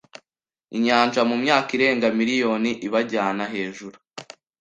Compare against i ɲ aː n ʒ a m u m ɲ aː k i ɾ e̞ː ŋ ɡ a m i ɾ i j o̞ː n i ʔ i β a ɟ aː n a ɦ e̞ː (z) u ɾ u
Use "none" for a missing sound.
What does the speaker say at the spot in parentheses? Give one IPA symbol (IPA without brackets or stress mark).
ʒ